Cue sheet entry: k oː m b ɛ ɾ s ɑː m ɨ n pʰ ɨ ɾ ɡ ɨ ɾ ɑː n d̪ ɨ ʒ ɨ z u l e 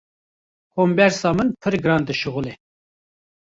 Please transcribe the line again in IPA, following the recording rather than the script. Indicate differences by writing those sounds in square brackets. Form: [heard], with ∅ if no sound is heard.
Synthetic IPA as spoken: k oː m b ɛ ɾ s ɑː m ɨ n pʰ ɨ ɾ ɡ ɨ ɾ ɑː n d̪ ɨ [ʃ] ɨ [ɣ] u l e